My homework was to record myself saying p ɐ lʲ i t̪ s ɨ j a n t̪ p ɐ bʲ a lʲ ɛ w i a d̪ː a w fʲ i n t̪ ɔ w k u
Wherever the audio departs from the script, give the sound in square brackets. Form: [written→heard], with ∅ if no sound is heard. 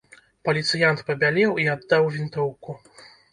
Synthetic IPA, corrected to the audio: p ɐ lʲ i t̪ s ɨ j a n t̪ p ɐ bʲ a lʲ ɛ w i a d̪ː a w [fʲ→vʲ] i n t̪ ɔ w k u